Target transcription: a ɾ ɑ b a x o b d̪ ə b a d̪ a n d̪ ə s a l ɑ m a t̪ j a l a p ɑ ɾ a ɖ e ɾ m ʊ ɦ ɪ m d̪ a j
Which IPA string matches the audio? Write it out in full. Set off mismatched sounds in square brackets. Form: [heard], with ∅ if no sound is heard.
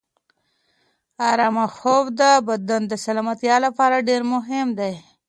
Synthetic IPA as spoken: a ɾ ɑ [m] a x o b d̪ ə b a d̪ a n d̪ ə s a l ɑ m a t̪ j [ɑ] l a p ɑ ɾ a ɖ e ɾ m ʊ ɦ ɪ m d̪ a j